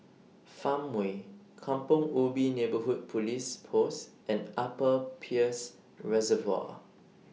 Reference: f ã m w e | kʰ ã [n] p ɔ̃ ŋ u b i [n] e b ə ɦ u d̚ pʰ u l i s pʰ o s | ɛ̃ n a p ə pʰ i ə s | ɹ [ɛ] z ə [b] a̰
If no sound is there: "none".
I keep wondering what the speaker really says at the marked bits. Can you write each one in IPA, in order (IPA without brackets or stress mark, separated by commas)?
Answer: m, n, ɛ, v